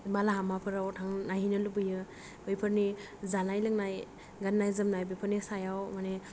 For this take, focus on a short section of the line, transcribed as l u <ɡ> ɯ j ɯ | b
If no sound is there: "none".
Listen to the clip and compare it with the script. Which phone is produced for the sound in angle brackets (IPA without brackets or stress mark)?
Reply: b